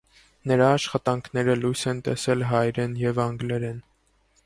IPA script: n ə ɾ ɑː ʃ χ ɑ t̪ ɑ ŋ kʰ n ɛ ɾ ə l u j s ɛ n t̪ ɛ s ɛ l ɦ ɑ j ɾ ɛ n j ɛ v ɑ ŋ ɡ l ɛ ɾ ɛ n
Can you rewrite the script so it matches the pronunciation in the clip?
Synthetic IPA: n ə ɾ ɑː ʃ χ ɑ t̪ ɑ ŋ kʰ n ɛ ɾ ə l u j s ɛ n t̪ ɛ s ɛ l ɦ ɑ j ɾ ɛ n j ɛ v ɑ ŋ ɡ l ɛ ɾ ɛ n